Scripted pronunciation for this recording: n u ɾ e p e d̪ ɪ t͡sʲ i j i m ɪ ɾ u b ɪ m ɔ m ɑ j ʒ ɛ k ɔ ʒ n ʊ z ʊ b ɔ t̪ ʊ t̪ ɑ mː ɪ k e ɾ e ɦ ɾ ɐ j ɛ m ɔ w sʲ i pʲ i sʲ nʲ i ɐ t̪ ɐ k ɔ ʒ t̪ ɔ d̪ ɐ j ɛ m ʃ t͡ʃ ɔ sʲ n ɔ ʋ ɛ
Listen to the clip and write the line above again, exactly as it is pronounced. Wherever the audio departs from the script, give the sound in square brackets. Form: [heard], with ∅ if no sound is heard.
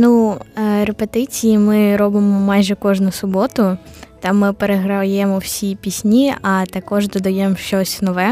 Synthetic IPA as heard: n u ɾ e p e [t̪] ɪ t͡sʲ i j i m ɪ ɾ [ɔ] b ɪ m ɔ m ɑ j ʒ ɛ k ɔ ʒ n ʊ [s] ʊ b ɔ t̪ ʊ t̪ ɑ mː ɪ [p] e ɾ e ɦ ɾ ɐ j ɛ m ɔ w sʲ i pʲ i sʲ nʲ i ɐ t̪ ɐ k ɔ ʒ [d̪] ɔ d̪ ɐ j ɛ m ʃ t͡ʃ ɔ sʲ n ɔ ʋ ɛ